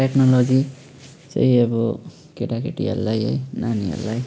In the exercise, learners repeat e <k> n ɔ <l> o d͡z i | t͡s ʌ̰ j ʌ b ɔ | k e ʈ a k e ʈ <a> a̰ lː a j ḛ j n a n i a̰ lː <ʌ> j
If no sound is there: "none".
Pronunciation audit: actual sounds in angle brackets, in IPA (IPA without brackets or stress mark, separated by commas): k, l, i, a